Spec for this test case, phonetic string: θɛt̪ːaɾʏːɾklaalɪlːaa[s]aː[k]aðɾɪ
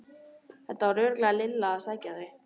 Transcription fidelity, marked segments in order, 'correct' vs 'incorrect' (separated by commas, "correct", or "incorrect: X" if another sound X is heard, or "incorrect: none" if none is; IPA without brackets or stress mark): correct, incorrect: c